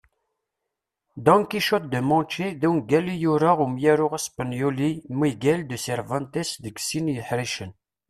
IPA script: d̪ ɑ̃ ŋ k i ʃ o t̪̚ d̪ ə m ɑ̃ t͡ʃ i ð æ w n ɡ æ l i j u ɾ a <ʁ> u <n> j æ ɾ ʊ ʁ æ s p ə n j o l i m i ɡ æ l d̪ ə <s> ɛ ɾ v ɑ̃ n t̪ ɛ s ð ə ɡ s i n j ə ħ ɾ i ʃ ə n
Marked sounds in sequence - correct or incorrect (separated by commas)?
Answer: correct, incorrect, correct